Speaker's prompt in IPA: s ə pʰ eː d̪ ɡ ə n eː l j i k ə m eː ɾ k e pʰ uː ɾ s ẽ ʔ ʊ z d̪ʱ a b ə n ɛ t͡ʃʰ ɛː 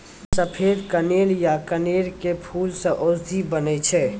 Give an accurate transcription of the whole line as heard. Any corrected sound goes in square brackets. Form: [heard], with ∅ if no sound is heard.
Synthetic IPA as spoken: s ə pʰ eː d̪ [k] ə n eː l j [a] k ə [n] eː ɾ k e pʰ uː [l] s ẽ ʔ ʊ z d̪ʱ [i] b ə n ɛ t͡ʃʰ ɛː

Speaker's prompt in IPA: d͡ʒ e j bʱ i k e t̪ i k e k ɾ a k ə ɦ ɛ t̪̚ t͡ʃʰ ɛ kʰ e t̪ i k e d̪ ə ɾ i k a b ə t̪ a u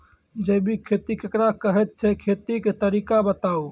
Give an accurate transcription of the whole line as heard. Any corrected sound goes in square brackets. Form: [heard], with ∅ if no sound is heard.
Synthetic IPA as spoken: d͡ʒ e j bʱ i [kʰ] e t̪ i k e k ɾ a k ə ɦ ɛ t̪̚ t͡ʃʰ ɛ kʰ e t̪ i k e [t̪] ə ɾ i k a b ə t̪ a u

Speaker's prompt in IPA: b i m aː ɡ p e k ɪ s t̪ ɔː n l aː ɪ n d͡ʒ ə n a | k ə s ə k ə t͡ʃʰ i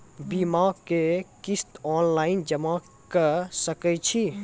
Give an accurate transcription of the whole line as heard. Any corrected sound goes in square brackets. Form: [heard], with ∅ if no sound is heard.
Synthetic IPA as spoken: b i m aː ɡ [k] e k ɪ s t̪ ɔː n l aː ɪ n d͡ʒ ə [m] a | k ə s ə k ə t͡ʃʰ i

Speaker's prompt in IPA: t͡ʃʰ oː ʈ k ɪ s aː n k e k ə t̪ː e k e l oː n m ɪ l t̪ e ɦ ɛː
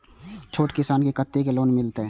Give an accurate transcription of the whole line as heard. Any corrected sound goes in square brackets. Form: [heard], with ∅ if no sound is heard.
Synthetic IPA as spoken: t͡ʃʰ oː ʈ k ɪ s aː n k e k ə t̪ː e k e l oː n m ɪ l t̪ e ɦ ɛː

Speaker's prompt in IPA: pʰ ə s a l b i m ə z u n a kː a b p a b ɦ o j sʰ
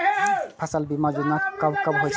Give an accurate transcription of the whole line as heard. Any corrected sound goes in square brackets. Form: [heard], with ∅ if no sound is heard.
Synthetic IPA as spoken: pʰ [a] s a l b i m [a] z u n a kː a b [k] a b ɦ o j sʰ

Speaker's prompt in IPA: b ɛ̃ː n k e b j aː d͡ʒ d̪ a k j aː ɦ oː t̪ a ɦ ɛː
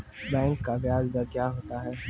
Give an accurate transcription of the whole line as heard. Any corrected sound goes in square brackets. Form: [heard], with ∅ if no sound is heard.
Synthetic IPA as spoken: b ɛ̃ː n k [a] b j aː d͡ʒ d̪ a k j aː ɦ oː t̪ a ɦ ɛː

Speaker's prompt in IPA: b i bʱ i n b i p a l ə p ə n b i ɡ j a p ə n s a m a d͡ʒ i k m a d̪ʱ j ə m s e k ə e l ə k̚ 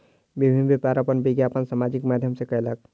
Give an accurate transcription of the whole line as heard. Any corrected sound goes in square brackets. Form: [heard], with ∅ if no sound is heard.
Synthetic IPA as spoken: b i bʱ i n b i p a [ɾ] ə p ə n b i ɡ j a p ə n s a m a d͡ʒ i k m a d̪ʱ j ə m s e k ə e l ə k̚

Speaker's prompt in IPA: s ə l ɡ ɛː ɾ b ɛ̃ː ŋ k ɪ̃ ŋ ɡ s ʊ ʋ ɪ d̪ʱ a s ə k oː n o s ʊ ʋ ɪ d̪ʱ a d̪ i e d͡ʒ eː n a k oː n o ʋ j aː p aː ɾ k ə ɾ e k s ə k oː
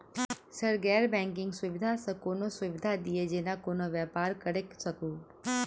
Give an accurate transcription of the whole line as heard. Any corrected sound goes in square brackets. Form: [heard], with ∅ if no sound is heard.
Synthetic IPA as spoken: s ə [ɾ] ɡ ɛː ɾ b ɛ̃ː ŋ k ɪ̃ ŋ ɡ s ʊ ʋ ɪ d̪ʱ a s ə k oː n o s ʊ ʋ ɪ d̪ʱ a d̪ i e d͡ʒ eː n a k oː n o ʋ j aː p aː ɾ k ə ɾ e k s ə k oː

